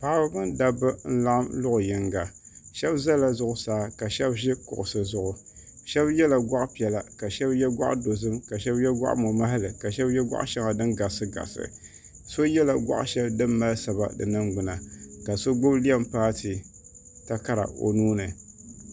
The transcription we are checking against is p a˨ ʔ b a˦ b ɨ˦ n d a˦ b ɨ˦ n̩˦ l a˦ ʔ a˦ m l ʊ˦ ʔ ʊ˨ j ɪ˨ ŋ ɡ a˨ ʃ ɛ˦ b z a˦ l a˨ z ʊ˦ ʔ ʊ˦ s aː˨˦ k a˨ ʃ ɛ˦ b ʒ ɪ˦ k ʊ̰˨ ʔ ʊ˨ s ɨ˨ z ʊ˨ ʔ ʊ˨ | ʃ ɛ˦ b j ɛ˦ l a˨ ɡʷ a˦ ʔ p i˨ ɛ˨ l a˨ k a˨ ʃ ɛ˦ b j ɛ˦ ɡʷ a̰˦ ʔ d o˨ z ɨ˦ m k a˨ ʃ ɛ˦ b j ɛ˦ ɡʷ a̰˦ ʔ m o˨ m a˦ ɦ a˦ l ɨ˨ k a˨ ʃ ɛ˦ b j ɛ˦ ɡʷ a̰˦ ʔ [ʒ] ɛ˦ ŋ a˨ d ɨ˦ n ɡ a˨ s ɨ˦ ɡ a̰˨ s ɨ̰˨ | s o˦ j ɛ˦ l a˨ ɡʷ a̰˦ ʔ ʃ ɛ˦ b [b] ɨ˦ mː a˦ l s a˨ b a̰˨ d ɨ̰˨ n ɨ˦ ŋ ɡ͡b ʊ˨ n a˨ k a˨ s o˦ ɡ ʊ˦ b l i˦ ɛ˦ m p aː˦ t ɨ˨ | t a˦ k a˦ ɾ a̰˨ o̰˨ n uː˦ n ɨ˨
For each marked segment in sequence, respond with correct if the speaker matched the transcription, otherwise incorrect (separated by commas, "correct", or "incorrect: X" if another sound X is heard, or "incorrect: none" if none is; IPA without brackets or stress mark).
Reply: incorrect: ʃ, incorrect: d